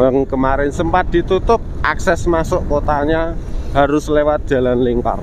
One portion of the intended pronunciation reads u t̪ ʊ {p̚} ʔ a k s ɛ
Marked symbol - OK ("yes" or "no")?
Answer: yes